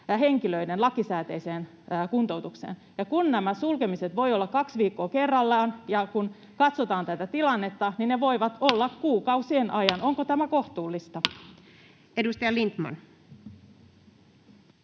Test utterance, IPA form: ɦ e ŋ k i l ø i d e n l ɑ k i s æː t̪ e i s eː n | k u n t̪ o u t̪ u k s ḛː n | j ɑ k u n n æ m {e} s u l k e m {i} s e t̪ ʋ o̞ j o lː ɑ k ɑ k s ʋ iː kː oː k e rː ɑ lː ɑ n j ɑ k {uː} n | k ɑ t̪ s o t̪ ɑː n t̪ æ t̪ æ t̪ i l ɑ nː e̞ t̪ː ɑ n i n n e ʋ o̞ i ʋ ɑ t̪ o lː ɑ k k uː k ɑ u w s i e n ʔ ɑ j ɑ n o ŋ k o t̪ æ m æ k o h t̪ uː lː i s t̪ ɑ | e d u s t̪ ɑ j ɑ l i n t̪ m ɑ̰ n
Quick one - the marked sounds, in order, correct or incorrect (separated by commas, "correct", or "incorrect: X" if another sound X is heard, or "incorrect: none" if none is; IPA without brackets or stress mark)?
incorrect: æ, correct, incorrect: u